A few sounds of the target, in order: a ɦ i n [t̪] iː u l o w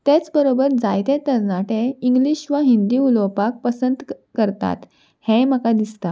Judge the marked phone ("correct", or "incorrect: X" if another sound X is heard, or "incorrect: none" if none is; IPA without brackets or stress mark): incorrect: d̪